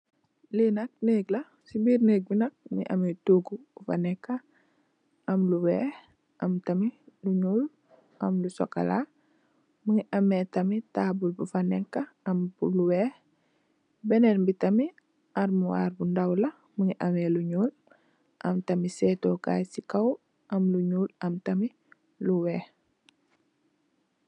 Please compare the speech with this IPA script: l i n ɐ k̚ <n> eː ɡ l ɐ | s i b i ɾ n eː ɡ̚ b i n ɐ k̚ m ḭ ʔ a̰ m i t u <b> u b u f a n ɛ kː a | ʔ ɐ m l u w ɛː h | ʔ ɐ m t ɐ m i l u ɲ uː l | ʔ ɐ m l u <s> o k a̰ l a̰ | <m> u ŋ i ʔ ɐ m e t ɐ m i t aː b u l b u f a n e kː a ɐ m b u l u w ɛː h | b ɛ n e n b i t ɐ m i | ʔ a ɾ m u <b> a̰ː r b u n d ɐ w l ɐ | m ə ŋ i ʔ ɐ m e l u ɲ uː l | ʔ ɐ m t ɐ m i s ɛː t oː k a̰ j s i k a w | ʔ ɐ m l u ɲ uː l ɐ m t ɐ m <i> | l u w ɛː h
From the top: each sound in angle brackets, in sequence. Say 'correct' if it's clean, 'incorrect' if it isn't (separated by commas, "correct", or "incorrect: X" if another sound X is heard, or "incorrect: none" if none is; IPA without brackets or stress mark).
correct, incorrect: ɡ, correct, correct, incorrect: w, correct